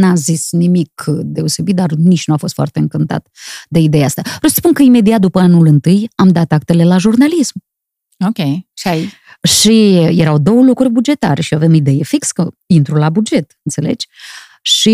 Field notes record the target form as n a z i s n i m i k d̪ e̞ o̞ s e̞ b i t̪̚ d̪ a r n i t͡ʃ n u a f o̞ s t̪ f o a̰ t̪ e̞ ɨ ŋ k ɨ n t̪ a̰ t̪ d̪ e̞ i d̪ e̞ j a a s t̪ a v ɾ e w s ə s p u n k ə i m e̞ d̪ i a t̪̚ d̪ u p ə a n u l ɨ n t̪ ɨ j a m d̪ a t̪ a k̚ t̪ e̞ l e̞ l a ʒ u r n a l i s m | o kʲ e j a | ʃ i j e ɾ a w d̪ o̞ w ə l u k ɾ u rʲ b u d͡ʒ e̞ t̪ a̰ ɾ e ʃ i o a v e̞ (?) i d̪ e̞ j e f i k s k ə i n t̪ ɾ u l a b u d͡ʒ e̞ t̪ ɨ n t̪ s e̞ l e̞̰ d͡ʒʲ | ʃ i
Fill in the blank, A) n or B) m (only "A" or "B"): B